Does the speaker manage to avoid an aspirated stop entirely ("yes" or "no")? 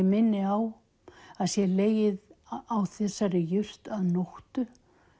yes